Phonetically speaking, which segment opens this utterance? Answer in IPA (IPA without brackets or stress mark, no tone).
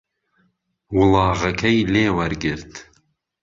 w